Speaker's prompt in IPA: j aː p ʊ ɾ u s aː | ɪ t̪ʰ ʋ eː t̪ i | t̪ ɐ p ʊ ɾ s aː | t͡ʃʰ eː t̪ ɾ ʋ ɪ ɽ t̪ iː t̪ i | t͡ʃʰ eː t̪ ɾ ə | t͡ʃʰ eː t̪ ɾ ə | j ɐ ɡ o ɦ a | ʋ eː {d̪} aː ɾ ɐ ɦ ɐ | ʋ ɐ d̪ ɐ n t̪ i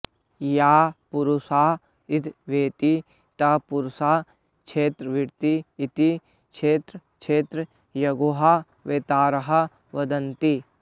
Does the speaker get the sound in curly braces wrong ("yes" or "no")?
yes